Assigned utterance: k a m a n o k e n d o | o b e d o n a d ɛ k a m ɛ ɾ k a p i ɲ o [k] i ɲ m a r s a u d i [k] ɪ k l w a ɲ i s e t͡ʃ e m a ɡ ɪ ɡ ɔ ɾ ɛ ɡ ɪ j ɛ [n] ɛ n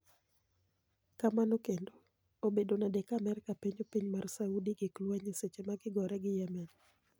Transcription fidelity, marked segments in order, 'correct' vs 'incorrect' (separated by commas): incorrect, incorrect, incorrect